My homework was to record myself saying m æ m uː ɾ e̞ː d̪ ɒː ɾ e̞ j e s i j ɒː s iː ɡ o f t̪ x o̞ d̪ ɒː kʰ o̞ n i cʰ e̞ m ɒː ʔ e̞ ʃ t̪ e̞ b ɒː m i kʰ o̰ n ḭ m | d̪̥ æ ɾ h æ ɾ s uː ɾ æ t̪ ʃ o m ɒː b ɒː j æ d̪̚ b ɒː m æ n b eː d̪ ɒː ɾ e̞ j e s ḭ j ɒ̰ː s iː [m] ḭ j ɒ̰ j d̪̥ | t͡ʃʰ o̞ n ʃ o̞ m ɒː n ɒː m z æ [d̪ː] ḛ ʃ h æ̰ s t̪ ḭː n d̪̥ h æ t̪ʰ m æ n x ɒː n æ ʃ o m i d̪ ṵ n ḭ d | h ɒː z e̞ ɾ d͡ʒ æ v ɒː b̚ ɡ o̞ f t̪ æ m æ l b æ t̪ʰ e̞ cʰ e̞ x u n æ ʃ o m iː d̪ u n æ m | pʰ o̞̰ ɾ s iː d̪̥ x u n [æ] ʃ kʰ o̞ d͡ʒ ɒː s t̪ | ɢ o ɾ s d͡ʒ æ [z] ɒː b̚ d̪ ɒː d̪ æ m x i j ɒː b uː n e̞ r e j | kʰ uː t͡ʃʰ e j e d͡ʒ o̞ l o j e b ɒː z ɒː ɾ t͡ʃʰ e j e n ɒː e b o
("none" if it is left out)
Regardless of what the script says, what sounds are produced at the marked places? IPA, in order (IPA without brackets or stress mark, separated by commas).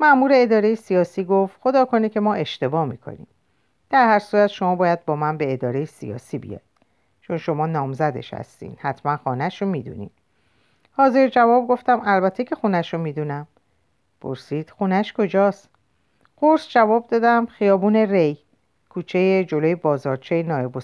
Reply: b, d̪, æ, v